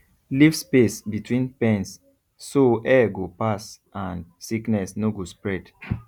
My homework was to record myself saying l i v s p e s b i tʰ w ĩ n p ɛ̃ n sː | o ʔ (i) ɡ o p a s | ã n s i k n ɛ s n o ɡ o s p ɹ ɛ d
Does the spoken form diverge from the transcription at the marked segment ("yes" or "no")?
yes